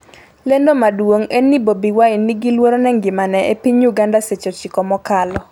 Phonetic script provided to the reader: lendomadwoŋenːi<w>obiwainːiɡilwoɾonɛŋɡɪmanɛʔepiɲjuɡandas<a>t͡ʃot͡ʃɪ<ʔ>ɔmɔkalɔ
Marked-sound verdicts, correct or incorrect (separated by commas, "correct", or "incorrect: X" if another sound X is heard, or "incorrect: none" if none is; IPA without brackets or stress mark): incorrect: b, incorrect: e, incorrect: k